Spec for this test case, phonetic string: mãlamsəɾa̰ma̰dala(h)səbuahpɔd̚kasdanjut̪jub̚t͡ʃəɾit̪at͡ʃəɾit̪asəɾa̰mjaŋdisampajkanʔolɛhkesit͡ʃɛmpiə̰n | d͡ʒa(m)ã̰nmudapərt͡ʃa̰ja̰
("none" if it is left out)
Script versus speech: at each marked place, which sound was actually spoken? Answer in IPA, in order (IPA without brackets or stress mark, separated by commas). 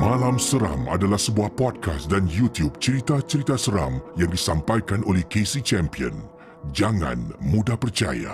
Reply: h, ŋ